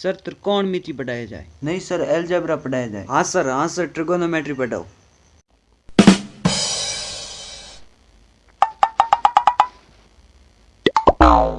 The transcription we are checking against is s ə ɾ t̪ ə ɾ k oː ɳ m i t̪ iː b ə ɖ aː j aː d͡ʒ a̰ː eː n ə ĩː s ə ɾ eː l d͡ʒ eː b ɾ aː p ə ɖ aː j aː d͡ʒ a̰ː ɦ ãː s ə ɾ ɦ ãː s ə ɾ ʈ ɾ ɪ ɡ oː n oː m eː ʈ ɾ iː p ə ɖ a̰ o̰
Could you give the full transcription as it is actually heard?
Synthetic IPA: s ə ɾ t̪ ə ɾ k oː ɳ m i t̪ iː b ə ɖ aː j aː d͡ʒ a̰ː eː n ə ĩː s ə ɾ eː l d͡ʒ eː b ɾ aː p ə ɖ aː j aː d͡ʒ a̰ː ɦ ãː s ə ɾ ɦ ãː s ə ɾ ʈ ɾ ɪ ɡ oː n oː m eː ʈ ɾ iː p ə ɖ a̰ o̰